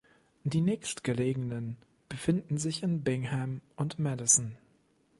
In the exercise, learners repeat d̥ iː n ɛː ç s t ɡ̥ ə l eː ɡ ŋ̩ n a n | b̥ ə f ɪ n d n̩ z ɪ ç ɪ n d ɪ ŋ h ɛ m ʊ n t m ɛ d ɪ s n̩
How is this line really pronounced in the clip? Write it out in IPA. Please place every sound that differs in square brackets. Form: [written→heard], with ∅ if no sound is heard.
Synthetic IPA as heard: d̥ iː n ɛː ç s t ɡ̥ ə l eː ɡ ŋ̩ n [a→ə] n | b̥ ə f ɪ n d n̩ z ɪ ç ɪ n [d→b] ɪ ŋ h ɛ m ʊ n t m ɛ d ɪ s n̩